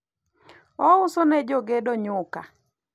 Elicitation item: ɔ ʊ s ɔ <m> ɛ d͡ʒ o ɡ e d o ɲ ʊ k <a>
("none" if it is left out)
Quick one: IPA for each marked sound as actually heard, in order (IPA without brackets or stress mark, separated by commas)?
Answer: n, a